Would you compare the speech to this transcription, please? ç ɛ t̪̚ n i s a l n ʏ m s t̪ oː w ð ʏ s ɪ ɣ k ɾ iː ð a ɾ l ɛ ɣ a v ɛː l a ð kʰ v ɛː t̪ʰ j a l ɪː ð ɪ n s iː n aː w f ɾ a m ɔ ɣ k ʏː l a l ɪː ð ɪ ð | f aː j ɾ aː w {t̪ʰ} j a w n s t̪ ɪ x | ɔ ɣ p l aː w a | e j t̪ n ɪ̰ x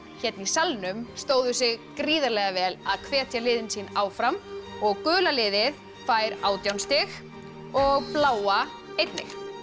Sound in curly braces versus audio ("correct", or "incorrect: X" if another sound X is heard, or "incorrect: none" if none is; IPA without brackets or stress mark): incorrect: t̪